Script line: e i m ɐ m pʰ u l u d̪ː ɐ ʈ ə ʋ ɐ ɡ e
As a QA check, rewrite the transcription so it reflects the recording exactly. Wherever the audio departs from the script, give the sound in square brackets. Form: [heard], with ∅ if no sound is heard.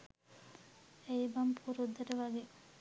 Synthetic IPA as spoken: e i [b] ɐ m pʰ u [ɾ] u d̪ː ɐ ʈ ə ʋ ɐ ɡ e